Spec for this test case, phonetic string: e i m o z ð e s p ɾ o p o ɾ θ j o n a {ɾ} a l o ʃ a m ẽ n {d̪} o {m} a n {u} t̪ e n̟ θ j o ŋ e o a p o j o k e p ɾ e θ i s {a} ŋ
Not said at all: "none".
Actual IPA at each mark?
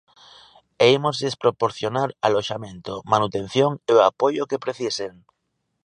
ɾ, t̪, m, u, e

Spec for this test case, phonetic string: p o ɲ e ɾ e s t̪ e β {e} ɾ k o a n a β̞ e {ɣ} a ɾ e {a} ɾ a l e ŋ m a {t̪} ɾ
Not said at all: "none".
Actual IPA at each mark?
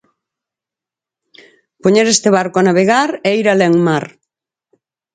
a, ɣ, i, none

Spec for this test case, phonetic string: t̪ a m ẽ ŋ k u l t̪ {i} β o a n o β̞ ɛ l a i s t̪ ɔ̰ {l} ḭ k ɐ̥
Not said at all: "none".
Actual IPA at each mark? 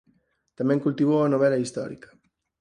i, ɾ

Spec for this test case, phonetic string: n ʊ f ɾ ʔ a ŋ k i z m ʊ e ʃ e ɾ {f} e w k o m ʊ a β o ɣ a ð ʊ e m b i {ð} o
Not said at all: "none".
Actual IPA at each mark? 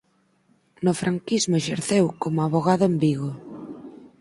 θ, ɣ

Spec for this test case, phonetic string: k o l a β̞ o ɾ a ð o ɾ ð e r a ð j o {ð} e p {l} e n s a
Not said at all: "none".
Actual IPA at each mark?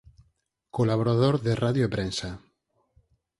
none, ɾ

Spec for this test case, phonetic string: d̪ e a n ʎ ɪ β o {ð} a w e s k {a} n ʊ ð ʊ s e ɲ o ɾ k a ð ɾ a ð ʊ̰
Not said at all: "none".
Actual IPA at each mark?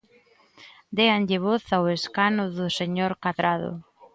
θ, a

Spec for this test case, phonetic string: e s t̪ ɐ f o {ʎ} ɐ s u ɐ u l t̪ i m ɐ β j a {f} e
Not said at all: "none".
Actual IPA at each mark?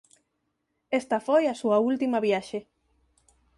j, ʃ

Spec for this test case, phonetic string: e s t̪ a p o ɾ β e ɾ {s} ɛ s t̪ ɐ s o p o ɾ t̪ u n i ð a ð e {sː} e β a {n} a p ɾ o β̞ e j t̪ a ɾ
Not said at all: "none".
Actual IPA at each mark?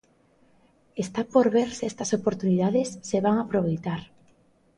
s, sː, ŋ

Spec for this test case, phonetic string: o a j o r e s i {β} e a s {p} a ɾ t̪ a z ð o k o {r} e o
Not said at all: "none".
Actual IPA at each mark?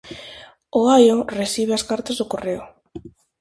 β, k, r

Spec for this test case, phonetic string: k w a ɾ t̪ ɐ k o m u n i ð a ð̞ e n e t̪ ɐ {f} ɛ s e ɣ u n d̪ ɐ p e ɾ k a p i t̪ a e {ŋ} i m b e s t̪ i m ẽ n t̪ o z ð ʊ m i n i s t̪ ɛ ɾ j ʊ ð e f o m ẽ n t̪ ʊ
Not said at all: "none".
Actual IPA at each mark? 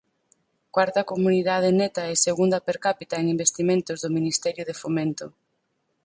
none, ŋ

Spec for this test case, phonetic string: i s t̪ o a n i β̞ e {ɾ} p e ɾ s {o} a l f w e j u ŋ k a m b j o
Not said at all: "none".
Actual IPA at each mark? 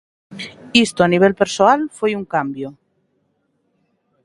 l, o

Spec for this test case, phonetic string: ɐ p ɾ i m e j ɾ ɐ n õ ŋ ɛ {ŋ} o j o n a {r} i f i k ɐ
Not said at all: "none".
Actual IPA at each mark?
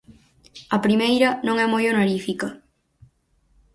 m, ɾ

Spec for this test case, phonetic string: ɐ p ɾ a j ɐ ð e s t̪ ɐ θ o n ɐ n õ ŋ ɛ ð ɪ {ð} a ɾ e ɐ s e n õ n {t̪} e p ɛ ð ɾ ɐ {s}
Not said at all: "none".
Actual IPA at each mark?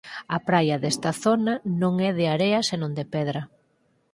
none, d̪, none

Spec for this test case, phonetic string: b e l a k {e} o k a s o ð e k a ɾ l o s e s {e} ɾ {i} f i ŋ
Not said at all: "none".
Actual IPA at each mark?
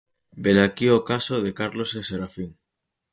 i, e, a

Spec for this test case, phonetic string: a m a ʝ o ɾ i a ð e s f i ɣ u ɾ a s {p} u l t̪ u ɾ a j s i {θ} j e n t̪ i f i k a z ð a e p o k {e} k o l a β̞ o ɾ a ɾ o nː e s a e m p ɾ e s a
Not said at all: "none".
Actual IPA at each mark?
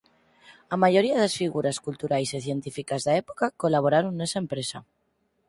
k, θ, a

